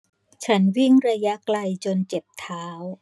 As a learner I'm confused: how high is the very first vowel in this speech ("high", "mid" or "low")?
low